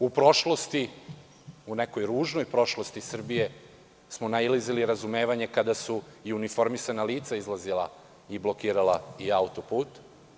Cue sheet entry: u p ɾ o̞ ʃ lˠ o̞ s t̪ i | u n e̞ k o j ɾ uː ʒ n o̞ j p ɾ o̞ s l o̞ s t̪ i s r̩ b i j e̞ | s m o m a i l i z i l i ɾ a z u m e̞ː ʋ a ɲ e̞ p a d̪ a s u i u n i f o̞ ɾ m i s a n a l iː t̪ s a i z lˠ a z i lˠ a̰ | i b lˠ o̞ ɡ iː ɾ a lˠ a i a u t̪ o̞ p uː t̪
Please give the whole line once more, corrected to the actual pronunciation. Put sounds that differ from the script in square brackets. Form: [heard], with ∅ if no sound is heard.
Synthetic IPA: u p ɾ o̞ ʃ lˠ o̞ s t̪ i | u n e̞ k o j ɾ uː ʒ n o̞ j p ɾ o̞ [ʃ] l o̞ s t̪ i s r̩ b i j e̞ | s m o [n] a i l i z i l i ɾ a z u m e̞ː ʋ a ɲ e̞ [k] a d̪ a s u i u n i f o̞ ɾ m i s a n a l iː t̪ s a i z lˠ a z i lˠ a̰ | i b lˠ o̞ [k] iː ɾ a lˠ a i a u t̪ o̞ p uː t̪